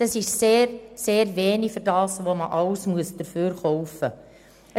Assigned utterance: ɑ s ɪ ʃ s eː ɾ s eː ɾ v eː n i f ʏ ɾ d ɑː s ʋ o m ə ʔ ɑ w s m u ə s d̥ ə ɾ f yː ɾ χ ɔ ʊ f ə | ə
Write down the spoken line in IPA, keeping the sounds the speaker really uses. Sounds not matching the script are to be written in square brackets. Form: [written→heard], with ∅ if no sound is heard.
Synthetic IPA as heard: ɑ s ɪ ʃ s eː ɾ s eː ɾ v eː n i f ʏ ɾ d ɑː s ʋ o m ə ʔ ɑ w s m u ə s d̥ ə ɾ f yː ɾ χ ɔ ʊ f ə | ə